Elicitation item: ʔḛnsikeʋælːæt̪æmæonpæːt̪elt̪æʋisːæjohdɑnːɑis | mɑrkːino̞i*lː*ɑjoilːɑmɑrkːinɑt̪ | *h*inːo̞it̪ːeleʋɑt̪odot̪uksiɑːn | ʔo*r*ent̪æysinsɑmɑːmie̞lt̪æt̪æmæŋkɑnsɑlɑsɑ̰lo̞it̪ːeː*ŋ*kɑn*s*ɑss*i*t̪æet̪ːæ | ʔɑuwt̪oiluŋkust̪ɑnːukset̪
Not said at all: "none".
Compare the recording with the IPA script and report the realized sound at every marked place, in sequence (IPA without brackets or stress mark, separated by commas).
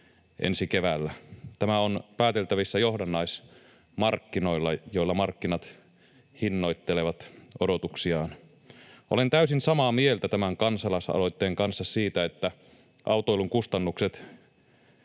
lː, h, l, ŋ, sː, iː